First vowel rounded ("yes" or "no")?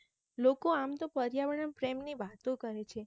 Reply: yes